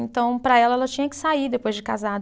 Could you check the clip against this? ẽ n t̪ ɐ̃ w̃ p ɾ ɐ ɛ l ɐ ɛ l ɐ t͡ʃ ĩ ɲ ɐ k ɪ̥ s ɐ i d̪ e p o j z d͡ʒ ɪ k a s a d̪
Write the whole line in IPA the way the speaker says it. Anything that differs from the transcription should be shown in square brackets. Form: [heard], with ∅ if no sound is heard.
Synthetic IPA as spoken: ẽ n t̪ ɐ̃ w̃ p ɾ ɐ ɛ l ɐ ɛ l ɐ t͡ʃ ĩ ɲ ɐ k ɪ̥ s [a] i d̪ e p o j z d͡ʒ ɪ k a [z] a d̪